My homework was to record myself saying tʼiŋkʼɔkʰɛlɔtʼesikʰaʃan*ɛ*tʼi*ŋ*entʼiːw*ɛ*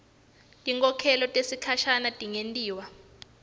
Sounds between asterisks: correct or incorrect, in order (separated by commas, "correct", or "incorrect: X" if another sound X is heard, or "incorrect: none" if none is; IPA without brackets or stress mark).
incorrect: a, correct, incorrect: a